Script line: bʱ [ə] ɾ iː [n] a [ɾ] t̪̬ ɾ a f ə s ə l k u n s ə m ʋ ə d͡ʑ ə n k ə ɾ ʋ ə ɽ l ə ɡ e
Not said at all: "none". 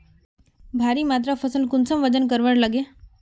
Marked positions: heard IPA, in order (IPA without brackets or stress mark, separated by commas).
a, m, none